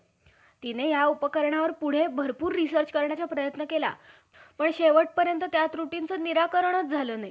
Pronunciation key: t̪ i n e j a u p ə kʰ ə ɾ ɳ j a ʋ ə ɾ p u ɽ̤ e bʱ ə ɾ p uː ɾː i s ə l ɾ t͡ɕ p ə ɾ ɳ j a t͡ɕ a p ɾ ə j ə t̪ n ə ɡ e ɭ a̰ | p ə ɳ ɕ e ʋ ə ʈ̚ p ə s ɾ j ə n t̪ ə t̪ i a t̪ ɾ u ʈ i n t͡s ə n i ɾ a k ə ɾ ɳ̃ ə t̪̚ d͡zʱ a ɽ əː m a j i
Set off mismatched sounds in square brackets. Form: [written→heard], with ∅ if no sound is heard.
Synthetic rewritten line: t̪ i n e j a u p ə [kʰ→k] ə ɾ ɳ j a ʋ ə ɾ p u ɽ̤ e bʱ ə ɾ p uː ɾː i s ə [l→∅] ɾ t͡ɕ [p→k] ə ɾ ɳ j a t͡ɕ a p ɾ ə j ə t̪ n ə [ɡ→k] e [ɭ→l] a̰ | p ə ɳ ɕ e ʋ ə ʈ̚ p ə [s→∅] ɾ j ə n t̪ ə t̪ [i→j] a t̪ ɾ u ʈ i n t͡s ə n i ɾ a k ə ɾ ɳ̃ ə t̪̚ d͡zʱ a [ɽ→l] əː [m→n] a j i